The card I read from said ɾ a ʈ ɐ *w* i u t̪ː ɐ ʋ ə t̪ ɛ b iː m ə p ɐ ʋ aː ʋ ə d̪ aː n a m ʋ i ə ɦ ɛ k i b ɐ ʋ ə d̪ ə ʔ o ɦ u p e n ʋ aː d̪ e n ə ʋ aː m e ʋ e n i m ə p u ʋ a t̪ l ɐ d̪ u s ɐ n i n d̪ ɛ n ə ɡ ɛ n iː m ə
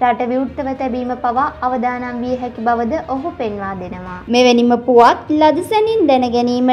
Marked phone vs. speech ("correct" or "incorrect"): incorrect